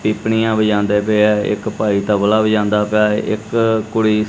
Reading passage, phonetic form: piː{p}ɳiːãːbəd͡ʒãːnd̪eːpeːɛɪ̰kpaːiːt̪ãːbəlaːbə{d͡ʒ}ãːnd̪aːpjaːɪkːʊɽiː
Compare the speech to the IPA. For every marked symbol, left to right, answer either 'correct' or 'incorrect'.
correct, correct

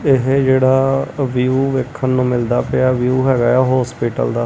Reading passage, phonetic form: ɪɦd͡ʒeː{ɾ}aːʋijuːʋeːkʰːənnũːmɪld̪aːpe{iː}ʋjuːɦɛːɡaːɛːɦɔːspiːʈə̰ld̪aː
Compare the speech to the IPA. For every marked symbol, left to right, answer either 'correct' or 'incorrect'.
incorrect: ɽ, incorrect: aː

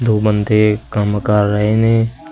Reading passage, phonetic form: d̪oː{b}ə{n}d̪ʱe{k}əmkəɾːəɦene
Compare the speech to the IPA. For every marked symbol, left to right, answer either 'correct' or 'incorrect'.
correct, correct, correct

